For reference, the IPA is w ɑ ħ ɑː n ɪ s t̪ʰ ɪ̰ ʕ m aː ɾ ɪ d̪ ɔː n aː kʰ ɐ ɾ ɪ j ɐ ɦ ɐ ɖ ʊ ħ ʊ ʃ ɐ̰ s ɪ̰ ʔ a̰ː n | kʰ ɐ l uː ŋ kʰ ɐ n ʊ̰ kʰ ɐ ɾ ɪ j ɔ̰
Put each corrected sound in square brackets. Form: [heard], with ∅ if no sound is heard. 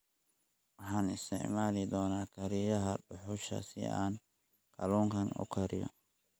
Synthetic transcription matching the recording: w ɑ ħ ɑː n ɪ s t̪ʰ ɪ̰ ʕ m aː [l] ɪ d̪ ɔː n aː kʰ ɐ ɾ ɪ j ɐ ɦ ɐ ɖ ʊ ħ ʊ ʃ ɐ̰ s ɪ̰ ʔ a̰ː n | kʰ ɐ l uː ŋ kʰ ɐ n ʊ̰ kʰ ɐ ɾ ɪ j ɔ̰